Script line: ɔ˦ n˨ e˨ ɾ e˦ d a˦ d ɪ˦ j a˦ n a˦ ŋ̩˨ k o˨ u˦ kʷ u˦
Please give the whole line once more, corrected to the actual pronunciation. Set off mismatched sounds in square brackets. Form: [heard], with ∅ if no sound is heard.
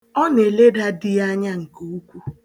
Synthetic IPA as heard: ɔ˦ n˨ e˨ [l] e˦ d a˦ d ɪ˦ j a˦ [ɲ] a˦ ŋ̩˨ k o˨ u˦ kʷ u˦